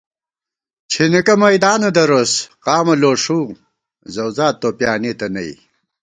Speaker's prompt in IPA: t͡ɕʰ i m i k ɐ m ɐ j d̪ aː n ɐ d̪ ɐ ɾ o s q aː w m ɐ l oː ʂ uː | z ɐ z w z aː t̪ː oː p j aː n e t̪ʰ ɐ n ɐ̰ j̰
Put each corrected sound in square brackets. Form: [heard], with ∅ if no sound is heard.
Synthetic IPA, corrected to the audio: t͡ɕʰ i [n] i k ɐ m ɐ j d̪ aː n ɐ d̪ ɐ ɾ o s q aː [∅] m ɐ l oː ʂ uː | z ɐ [∅] w z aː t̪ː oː p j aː n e [t̪] ɐ n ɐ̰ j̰